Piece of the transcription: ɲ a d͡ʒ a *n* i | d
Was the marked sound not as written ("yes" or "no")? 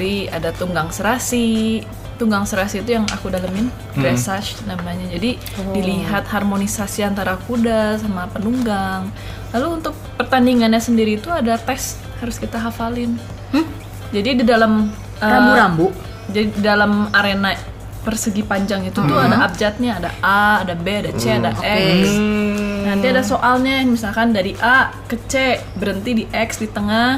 yes